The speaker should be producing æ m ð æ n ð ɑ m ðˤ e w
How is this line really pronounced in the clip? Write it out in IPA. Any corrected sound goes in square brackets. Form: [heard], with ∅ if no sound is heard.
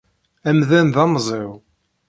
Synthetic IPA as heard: æ m ð æ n ð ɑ m [zˤ] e w